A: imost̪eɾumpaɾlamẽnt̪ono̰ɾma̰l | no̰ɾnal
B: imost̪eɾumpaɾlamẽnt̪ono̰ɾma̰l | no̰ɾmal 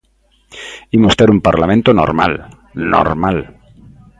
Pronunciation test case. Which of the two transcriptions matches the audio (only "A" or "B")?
B